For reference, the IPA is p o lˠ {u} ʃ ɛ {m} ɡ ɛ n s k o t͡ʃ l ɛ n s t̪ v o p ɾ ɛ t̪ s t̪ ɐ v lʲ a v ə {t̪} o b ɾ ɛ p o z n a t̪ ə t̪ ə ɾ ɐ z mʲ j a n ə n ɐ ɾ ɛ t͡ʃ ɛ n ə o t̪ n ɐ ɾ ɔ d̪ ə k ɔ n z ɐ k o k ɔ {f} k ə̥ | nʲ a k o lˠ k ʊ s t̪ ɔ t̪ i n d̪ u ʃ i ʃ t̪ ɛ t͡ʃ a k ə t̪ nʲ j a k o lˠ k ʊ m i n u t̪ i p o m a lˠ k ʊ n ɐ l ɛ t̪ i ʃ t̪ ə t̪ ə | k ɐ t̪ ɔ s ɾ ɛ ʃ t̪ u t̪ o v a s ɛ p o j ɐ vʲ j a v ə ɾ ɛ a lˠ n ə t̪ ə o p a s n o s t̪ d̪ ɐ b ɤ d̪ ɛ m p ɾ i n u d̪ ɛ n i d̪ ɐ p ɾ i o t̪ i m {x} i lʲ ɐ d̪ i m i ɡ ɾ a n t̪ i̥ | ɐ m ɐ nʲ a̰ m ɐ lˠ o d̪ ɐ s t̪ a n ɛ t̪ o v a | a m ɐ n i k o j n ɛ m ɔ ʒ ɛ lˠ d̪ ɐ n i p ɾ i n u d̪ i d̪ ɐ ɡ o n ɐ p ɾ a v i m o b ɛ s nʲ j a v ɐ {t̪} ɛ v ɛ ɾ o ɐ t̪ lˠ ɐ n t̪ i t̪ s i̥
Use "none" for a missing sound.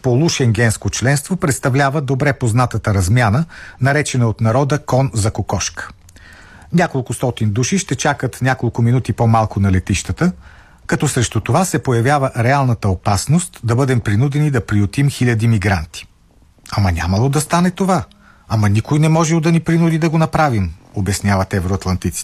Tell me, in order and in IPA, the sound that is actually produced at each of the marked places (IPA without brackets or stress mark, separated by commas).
u, ŋ, d̪, ʃ, x, t̪